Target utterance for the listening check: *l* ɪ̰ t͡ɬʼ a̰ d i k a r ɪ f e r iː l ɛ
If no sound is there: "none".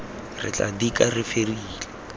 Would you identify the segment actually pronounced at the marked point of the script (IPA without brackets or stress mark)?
r